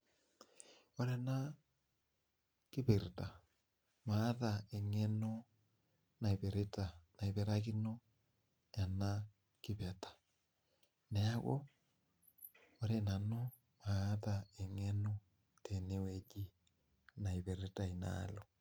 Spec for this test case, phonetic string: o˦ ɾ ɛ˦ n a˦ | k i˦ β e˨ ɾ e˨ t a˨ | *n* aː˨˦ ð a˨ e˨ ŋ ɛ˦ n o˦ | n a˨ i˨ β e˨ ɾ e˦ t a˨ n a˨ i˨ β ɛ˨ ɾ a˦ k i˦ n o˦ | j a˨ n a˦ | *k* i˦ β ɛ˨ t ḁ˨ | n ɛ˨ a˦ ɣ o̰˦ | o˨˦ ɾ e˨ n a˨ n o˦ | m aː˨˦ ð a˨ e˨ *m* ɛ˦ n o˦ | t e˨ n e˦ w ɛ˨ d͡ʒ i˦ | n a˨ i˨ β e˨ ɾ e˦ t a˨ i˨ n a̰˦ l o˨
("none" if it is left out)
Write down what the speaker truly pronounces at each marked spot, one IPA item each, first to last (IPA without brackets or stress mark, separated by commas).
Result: m, k, ŋ